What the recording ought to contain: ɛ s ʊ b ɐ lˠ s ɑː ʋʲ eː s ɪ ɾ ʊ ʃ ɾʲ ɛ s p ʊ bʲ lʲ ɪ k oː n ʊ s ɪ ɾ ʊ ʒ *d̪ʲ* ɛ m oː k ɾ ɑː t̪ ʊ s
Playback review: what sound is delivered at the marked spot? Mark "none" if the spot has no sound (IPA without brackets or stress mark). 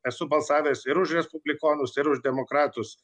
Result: d̪ʲ